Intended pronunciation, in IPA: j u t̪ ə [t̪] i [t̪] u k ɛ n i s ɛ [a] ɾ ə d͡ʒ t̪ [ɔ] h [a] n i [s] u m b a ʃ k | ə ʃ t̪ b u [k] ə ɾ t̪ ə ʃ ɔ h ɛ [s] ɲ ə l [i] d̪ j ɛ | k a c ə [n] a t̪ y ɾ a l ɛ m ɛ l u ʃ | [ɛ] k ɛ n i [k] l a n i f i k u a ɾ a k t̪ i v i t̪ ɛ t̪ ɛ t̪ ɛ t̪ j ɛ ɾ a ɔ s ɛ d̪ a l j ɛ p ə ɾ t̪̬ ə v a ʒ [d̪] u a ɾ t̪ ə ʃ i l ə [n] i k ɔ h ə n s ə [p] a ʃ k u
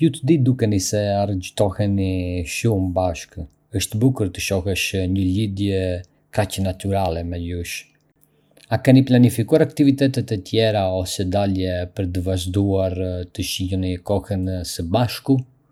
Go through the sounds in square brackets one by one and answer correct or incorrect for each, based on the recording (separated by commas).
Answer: incorrect, incorrect, correct, correct, incorrect, incorrect, correct, incorrect, correct, correct, incorrect, incorrect, correct, correct, incorrect